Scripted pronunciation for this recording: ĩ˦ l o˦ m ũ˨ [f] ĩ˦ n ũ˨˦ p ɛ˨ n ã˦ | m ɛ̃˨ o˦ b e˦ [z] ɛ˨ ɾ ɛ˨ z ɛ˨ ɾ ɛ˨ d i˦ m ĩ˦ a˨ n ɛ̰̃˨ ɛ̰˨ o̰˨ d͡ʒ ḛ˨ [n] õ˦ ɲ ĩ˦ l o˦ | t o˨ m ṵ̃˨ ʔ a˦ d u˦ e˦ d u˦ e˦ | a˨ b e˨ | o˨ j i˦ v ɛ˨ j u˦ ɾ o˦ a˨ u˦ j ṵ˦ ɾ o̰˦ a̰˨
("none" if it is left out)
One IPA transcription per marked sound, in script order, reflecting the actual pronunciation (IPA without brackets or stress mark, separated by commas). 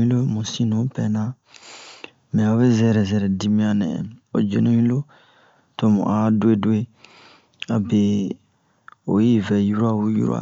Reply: s, z, n